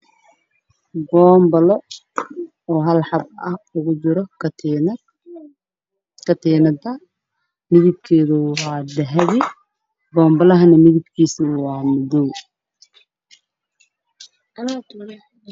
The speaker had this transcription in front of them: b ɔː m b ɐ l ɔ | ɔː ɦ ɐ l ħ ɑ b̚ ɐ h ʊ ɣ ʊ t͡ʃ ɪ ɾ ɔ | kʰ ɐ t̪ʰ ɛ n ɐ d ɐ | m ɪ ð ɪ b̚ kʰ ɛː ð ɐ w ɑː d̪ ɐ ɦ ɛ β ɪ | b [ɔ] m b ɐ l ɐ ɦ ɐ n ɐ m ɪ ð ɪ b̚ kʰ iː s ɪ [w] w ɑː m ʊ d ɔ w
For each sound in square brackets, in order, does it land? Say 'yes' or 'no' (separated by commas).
no, yes